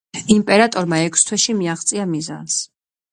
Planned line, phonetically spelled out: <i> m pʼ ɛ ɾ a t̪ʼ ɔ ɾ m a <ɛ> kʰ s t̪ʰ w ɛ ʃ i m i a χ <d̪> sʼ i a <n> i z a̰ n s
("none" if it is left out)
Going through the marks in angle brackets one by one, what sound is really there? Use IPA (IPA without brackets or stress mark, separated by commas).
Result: i, ɛ, t̪, m